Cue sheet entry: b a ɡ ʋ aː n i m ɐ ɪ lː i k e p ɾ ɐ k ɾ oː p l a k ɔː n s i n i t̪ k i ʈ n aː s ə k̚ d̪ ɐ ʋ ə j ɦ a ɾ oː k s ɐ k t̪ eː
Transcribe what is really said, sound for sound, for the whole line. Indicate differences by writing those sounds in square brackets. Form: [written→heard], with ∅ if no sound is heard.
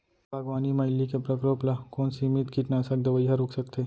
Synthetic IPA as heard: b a ɡ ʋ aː n i m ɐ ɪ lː i k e p ɾ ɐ k ɾ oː p l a k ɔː n s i [n→m] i t̪ k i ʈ n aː s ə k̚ d̪ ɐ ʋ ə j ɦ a ɾ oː k s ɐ k t̪ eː